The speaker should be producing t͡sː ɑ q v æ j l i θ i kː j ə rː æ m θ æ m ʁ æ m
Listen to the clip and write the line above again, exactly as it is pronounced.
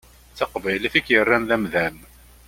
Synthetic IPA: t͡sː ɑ q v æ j l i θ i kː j ə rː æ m ð æ m ð æ m